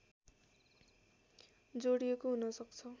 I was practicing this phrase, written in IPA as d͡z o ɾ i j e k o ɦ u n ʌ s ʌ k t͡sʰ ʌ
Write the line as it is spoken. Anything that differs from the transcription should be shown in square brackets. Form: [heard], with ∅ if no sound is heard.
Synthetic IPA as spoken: d͡z o [ɽ] i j e k o ɦ u n ʌ s ʌ k t͡sʰ ʌ